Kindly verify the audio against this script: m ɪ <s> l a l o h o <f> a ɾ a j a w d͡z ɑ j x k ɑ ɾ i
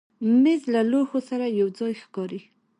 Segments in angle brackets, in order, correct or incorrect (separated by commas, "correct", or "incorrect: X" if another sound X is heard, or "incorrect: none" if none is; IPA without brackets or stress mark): incorrect: z, incorrect: s